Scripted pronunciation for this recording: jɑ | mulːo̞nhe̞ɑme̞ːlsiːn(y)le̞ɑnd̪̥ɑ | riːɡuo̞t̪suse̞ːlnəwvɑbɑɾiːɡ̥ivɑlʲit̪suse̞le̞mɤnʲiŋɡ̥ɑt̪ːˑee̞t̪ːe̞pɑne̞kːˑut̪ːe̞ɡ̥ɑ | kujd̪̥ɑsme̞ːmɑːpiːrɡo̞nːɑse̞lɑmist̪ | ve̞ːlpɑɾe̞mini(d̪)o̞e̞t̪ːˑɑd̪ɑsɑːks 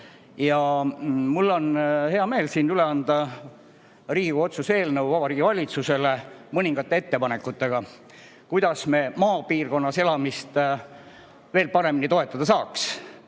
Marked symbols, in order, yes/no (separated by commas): yes, no